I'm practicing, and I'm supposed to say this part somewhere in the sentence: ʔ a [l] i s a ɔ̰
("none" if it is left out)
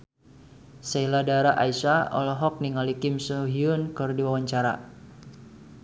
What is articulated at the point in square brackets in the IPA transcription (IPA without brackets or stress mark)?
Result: none